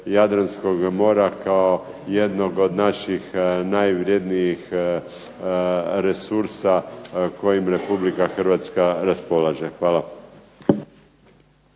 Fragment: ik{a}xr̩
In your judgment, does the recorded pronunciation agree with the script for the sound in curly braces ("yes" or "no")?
yes